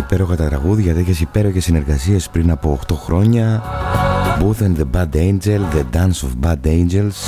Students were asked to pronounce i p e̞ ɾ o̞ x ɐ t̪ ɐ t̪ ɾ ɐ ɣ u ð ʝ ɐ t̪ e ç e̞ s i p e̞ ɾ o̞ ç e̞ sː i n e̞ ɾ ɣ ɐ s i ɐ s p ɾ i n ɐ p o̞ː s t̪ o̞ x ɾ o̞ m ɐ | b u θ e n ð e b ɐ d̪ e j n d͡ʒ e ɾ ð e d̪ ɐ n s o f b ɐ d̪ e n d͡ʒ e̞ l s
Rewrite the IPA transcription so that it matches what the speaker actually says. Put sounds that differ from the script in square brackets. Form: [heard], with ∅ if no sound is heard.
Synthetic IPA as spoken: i p e̞ ɾ o̞ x ɐ t̪ ɐ t̪ ɾ ɐ ɣ u ð ʝ ɐ t̪ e ç e̞ s i p e̞ ɾ o̞ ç e̞ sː i n e̞ ɾ ɣ ɐ s i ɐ s p ɾ i n ɐ p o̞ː [x] t̪ o̞ x ɾ o̞ [ɲ] ɐ | b u θ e n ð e b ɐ d̪ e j n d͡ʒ e [l] ð e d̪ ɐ n s o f b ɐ d̪ e n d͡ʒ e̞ l s